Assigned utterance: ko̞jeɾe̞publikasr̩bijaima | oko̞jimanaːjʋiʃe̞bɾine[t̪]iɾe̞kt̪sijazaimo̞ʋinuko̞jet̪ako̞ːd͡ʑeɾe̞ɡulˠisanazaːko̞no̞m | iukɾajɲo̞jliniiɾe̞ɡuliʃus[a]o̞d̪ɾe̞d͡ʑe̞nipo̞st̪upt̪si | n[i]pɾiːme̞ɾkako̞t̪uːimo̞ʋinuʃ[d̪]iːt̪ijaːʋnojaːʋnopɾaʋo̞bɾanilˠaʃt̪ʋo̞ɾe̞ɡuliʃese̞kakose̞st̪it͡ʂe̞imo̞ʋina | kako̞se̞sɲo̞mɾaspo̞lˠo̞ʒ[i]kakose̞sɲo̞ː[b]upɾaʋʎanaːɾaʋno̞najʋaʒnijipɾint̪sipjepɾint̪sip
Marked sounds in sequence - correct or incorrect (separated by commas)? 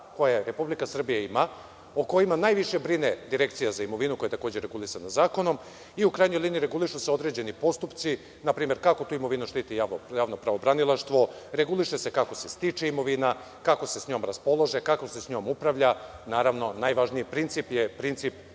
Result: incorrect, incorrect, incorrect, incorrect, incorrect, incorrect